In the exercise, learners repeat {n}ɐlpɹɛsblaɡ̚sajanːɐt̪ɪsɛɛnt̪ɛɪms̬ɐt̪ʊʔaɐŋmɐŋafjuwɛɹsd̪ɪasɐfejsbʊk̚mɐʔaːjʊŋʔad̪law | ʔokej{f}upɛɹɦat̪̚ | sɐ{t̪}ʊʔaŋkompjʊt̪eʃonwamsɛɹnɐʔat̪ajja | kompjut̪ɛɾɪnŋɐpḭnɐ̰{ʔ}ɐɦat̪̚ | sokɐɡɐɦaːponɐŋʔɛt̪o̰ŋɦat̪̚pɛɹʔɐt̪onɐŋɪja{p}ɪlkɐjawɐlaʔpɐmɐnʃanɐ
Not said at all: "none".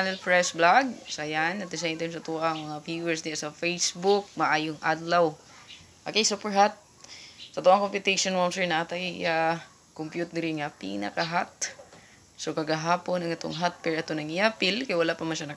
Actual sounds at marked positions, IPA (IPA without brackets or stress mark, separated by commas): n, s, t̪, k, p